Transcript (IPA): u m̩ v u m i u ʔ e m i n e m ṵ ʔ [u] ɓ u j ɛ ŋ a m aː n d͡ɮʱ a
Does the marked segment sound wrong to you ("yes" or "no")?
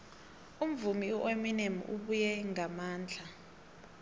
no